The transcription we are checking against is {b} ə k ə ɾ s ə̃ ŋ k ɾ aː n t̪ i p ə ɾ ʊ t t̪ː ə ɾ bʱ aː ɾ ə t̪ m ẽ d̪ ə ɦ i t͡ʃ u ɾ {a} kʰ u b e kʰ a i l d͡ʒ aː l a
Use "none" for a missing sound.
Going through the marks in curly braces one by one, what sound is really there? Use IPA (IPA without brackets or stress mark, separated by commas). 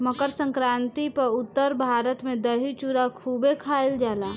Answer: m, a